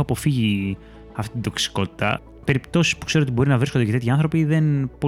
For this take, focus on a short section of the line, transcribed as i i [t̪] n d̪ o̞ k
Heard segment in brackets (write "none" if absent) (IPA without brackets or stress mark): t̪